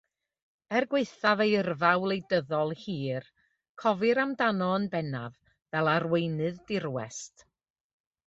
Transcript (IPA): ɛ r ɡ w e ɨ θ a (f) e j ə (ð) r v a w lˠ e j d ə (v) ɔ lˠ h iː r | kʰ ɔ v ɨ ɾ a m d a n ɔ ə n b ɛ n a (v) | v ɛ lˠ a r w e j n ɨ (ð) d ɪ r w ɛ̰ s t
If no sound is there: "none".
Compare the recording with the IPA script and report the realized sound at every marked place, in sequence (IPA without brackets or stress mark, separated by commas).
v, none, ð, v, ð